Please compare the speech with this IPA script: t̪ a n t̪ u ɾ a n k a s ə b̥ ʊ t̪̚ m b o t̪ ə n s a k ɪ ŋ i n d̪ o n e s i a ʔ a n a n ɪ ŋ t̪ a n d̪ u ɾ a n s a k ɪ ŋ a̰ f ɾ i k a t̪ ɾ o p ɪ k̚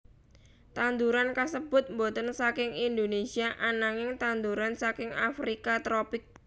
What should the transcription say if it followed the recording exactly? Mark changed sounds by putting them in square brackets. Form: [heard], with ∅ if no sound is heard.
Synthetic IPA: t̪ a n [d̪] u ɾ a n k a s ə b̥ ʊ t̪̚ m b o t̪ ə n s a k ɪ ŋ i n d̪ o n e s i a ʔ a n a [ŋ] ɪ ŋ t̪ a n d̪ u ɾ a n s a k ɪ ŋ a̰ f ɾ i k a t̪ ɾ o p ɪ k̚